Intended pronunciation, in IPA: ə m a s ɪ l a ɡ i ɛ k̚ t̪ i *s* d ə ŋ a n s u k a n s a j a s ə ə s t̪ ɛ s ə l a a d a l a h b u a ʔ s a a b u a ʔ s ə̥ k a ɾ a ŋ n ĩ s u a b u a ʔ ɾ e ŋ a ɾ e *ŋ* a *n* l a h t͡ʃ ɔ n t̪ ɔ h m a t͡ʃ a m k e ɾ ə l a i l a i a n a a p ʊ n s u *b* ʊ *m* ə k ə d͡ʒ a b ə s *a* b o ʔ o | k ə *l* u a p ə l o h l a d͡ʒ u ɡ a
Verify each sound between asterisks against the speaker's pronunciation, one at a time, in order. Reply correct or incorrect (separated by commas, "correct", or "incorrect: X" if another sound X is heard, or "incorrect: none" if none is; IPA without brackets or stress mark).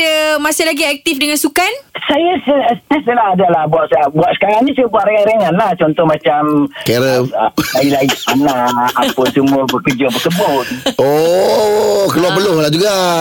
incorrect: f, correct, correct, incorrect: m, incorrect: b, incorrect: ə, correct